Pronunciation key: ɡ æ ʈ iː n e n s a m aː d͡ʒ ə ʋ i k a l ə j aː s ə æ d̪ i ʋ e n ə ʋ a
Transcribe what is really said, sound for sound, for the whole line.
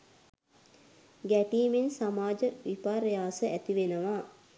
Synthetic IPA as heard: ɡ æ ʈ iː m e n s a m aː d͡ʒ ə ʋ i p a ɾ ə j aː s ə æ t̪ i ʋ e n ə ʋ a